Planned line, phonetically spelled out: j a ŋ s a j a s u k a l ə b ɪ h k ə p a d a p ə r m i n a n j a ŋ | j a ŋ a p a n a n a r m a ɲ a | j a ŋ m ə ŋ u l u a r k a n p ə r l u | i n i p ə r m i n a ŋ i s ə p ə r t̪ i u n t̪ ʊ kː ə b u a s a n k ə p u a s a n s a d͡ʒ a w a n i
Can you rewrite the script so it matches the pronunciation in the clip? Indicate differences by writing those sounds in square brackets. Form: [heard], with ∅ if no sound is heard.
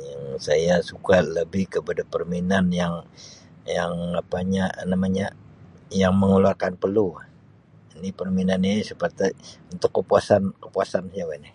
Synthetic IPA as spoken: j a ŋ s a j a s u k a l ə b ɪ h k ə p a d a p ə r m i n a n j a ŋ | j a ŋ a p a [ɲ] a n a [∅] m a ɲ a | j a ŋ m ə ŋ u l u a r k a n p ə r l u | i n i p ə r m i n a [n] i s ə p ə r t̪ i u n t̪ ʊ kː ə [p] u a s a n k ə p u a s a n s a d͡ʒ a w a n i